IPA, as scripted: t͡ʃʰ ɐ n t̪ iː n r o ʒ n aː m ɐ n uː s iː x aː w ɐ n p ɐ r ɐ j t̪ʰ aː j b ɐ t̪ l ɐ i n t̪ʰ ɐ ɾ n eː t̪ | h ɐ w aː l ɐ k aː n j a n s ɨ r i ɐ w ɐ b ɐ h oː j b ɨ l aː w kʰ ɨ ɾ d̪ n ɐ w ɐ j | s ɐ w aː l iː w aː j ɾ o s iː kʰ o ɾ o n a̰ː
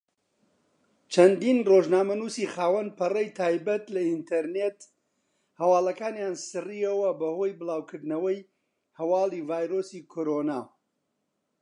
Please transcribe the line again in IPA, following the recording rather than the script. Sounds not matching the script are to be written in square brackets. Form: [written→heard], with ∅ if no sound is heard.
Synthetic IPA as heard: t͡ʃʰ ɐ n [t̪→d̪] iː n r o ʒ n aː m ɐ n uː s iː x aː w ɐ n p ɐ r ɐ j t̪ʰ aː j b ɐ t̪ l ɐ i n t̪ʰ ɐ ɾ n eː t̪ | h ɐ w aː l ɐ k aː n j a n s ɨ r i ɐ w ɐ b ɐ h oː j b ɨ l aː w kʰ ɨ ɾ d̪ n ɐ w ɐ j | [s→h] ɐ w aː l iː [w→v] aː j ɾ o s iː kʰ o ɾ o n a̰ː